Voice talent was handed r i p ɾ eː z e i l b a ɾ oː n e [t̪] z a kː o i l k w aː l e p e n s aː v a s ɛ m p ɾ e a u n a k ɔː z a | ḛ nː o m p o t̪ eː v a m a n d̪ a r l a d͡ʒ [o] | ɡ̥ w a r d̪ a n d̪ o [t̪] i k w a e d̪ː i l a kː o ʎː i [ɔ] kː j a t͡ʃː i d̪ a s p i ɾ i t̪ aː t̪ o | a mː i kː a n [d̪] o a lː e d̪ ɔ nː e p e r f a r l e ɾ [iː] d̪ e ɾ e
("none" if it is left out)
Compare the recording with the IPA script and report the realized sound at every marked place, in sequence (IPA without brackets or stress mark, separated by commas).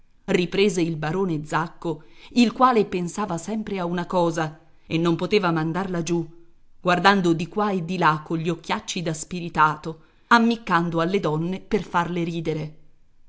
d̪, u, d̪, o, d̪, iː